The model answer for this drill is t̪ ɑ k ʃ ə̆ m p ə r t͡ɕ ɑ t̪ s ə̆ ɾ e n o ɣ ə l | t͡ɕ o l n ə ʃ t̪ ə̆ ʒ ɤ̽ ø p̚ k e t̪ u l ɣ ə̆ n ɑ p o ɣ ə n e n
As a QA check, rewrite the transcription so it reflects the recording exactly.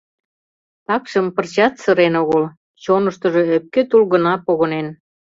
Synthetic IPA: t̪ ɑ k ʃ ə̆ m p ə r t͡ɕ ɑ t̪ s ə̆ ɾ e n o ɣ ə l | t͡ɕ o n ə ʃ t̪ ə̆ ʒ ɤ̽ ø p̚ k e t̪ u l ɣ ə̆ n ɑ p o ɣ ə n e n